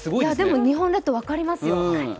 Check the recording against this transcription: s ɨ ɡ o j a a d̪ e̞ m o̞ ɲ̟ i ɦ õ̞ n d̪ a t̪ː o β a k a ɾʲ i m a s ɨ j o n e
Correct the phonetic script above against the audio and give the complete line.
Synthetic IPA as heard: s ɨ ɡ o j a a d̪ e̞ m o̞ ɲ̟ i ɦ õ̞ n d̪ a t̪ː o β a k a ɾʲ i m a s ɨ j o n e